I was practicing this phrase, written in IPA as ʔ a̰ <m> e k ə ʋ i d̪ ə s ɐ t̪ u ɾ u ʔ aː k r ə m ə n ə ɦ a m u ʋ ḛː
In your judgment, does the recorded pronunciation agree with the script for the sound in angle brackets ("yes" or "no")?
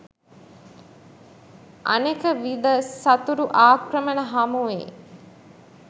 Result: no